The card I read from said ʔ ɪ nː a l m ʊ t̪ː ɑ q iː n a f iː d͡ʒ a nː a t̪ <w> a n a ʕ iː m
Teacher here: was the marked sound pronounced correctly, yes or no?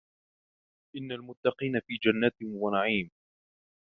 yes